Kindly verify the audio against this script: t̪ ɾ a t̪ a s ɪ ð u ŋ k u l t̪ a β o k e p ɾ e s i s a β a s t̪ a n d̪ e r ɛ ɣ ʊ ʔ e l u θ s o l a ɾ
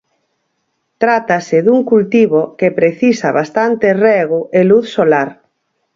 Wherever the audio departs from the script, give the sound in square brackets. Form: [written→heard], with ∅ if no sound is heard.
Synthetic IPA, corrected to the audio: t̪ ɾ a t̪ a s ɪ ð u ŋ k u l t̪ [a→i] β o k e p ɾ e [s→θ] i s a β a s t̪ a n [d̪→t̪] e r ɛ ɣ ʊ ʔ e l u θ s o l a ɾ